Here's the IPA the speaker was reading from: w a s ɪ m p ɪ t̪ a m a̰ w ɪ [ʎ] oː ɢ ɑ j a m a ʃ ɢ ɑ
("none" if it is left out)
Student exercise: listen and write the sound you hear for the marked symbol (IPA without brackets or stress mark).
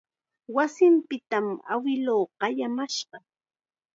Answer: l